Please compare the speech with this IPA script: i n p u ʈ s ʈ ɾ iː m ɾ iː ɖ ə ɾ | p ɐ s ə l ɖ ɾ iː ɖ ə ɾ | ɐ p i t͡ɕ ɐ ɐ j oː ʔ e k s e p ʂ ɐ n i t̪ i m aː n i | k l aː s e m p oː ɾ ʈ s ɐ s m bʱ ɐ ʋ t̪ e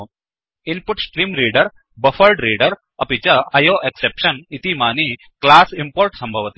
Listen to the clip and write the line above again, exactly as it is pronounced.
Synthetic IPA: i n p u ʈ s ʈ ɾ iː m ɾ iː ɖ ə ɾ | b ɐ f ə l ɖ ɾ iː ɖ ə ɾ | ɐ p i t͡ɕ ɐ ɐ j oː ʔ e k s e p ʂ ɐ n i t̪ i m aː n i | k l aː s i m p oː ɾ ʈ s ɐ m bʱ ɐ ʋ t̪ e

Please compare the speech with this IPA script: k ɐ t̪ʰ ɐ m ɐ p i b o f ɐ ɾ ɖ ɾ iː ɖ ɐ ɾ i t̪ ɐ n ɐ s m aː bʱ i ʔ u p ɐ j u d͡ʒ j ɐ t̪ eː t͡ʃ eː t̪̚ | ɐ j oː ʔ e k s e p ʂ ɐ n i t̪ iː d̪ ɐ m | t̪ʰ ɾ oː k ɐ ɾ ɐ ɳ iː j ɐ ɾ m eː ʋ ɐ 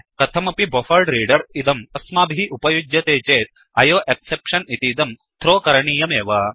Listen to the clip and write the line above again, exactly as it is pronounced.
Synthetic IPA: k ɐ t̪ʰ ɐ m ɐ p i b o f ɐ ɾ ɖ ɾ iː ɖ ɐ ɾ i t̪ ɐ m ɐ s m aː bʱ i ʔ u p ɐ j u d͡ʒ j ɐ t̪ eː t͡ʃ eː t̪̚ | ɐ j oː ʔ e k s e p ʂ ɐ n i t̪ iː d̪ ɐ m | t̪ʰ ɾ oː k ɐ ɾ ɐ ɳ iː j ɐ m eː ʋ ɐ

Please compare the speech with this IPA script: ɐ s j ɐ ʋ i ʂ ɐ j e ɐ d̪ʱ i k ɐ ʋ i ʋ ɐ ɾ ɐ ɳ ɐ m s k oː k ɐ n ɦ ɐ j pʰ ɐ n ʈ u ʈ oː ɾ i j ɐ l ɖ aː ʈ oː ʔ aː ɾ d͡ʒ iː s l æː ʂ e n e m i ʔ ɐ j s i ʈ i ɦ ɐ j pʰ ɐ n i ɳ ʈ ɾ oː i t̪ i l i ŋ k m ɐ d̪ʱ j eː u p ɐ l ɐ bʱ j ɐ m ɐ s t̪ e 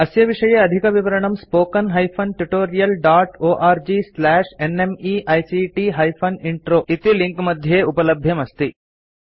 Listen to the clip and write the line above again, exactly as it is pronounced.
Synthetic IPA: ɐ s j ɐ ʋ i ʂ ɐ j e ɐ d̪ʱ i k ɐ ʋ i ʋ ɐ ɾ ɐ ɳ ɐ m s p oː k ɐ n ɦ ɐ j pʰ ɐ n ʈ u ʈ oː ɾ i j ɐ l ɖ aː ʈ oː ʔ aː ɾ d͡ʒ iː s l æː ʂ e n e m i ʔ ɐ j s i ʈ i ɦ ɐ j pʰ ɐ n i ɳ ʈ ɾ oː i t̪ i l i ŋ k m ɐ d̪ʱ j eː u p ɐ l ɐ bʱ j ɐ m ɐ s t̪ i

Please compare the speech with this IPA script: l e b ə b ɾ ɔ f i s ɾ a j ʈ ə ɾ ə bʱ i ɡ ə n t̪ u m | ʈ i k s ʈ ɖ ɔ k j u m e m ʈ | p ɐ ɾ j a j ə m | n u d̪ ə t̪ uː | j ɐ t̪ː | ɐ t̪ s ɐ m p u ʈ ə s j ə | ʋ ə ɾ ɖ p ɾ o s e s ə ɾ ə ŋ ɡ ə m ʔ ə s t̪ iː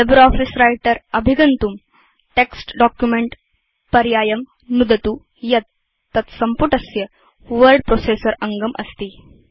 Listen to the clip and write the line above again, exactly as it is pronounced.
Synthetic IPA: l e b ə ɾ ɔ f i s ɾ a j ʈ ə ɾ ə bʱ i ɡ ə n t̪ u m | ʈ e k s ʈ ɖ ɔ k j u m e ɳ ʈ | p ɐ ɾ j a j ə m | n u d̪ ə t̪ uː | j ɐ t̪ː | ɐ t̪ s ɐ m p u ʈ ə s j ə | ʋ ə ɾ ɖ p ɾ o s e s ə ɾ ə ŋ ɡ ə m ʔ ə s t̪ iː

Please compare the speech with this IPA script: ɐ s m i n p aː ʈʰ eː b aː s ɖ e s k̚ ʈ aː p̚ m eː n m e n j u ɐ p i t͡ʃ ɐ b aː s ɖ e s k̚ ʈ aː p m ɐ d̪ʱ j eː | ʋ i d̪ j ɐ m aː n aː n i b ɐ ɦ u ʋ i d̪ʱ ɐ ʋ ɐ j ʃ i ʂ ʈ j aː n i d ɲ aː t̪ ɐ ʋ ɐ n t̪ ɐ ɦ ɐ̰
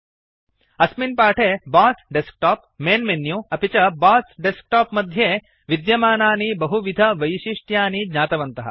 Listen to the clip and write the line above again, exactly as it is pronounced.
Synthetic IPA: ɐ s m i n p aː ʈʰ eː b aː s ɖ e s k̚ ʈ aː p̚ m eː n m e n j u ɐ p i t͡ʃ ɐ b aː s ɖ e s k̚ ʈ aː p m ɐ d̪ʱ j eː | ʋ i d̪ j ɐ m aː n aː n i b ɐ ɦ u ʋ i d̪ʱ ɐ ʋ ɐ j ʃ i ʂ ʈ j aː n i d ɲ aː t̪ ɐ ʋ ɐ n t̪ ɐ ɦ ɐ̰

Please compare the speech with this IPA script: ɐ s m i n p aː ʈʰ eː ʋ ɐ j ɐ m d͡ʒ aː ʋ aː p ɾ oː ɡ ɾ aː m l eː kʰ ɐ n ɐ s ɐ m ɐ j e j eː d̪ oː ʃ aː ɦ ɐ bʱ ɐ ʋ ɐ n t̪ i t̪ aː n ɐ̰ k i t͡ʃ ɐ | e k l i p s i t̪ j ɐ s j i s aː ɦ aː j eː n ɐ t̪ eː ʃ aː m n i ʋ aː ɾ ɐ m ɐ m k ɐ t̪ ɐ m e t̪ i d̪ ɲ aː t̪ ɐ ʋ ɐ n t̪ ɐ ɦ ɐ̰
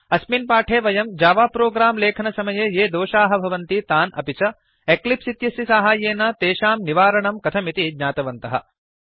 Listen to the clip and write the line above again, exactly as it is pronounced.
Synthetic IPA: ɐ s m i n p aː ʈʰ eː ʋ ɐ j ɐ m d͡ʒ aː ʋ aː p ɾ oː ɡ ɾ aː m l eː kʰ ɐ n ɐ s ɐ m ɐ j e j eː d̪ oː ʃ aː ɦ ɐ bʱ ɐ ʋ ɐ n t̪ i t̪ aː n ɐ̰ p i t͡ʃ ɐ | e k l i p s i t̪ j ɐ s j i s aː ɦ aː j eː n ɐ t̪ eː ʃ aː m n i ʋ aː ɾ ɐ ɳ ɐ m k ɐ t̪ʰ ɐ m i t̪ i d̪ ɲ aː t̪ ɐ ʋ ɐ n t̪ ɐ ɦ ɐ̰

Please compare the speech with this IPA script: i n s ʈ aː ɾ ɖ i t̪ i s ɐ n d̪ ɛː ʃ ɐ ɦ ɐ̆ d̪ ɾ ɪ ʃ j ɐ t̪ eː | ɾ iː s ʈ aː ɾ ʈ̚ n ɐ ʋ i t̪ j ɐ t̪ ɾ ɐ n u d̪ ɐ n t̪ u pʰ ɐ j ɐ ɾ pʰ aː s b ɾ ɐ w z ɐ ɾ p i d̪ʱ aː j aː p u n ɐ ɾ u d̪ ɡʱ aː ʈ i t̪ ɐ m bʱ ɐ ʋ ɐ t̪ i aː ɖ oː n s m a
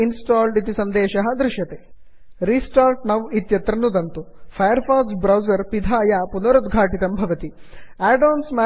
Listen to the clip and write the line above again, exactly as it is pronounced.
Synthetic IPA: i n s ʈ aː l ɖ i t̪ i s ɐ n d̪ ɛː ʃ ɐ ɦ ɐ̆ d̪ ɾ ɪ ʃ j ɐ t̪ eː | ɾ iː s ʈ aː ɾ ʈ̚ n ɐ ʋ i t̪ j ɐ t̪ ɾ ɐ n u d̪ ɐ n t̪ u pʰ ɐ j ɐ ɾ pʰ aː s b ɾ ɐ w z ɐ ɾ p i d̪ʱ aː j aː p u n ɐ ɾ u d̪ ɡʱ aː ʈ i t̪ ɐ m bʱ ɐ ʋ ɐ t̪ i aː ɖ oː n s m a

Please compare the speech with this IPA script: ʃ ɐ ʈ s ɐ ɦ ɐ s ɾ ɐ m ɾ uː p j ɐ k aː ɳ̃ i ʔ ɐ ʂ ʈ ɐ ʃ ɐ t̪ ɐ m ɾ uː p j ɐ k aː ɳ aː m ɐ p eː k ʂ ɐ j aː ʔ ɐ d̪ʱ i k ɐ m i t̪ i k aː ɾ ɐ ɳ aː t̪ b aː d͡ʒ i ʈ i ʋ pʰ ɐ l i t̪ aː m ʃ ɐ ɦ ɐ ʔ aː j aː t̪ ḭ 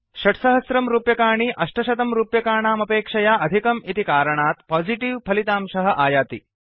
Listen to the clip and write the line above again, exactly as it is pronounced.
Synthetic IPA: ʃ ɐ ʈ s ɐ ɦ ɐ s ɾ ɐ m ɾ uː p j ɐ k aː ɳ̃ i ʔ ɐ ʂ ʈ ɐ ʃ ɐ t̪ ɐ m ɾ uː p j ɐ k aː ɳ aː m ɐ p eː k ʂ ɐ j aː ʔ ɐ d̪ʱ i k ɐ m i t̪ i k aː ɾ ɐ ɳ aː t̪ p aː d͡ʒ i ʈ i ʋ pʰ ɐ l i t̪ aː m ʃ ɐ ɦ ɐ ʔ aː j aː t̪ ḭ

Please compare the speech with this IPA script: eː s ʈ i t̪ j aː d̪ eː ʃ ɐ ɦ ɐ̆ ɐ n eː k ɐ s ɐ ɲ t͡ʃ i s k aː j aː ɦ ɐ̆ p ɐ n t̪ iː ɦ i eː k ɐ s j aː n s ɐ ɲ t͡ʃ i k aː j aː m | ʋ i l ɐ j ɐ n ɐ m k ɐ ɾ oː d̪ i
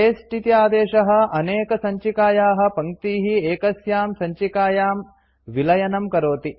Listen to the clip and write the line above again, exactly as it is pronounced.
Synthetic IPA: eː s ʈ i t̪ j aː d̪ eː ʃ ɐ ɦ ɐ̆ ɐ n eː k ɐ s ɐ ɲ t͡ʃ i k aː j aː ɦ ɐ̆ p ɐ ŋ t̪ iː ɦ i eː k ɐ s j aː m s ɐ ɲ t͡ʃ i k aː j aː m | ʋ i l ɐ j ɐ n ɐ m k ɐ ɾ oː t̪ i

